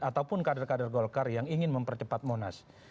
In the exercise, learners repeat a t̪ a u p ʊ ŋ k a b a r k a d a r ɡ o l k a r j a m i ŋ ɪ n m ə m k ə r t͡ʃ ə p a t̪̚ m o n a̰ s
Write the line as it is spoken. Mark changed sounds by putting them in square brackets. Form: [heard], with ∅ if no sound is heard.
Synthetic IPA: a t̪ a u p ʊ [n] k a [d] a r k a d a r ɡ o l k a r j a [ŋ] i ŋ ɪ n m ə m [p] ə r t͡ʃ ə p a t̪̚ m o n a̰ s